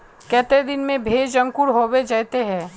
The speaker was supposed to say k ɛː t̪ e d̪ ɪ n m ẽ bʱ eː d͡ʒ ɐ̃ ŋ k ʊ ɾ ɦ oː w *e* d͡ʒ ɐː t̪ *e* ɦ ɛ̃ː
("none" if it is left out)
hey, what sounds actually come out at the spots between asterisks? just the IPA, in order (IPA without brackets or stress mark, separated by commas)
e, e